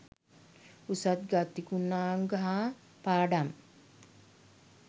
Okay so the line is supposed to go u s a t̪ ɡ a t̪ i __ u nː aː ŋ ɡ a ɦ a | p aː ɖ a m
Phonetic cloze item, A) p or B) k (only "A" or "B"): B